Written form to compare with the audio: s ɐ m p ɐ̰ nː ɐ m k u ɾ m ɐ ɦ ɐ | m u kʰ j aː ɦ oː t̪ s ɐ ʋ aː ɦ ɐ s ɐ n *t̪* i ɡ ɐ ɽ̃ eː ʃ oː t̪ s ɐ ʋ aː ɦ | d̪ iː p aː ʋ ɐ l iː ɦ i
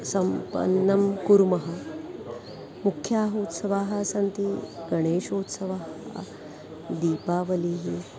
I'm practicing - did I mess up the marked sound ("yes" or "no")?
no